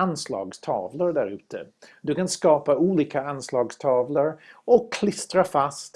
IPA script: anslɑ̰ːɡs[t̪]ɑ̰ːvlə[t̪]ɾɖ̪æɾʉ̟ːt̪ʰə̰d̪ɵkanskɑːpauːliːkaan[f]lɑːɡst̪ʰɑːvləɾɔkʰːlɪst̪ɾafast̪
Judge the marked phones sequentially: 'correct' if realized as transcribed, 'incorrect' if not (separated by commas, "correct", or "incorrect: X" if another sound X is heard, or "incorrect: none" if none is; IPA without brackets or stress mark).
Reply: incorrect: t̪ʰ, incorrect: none, incorrect: s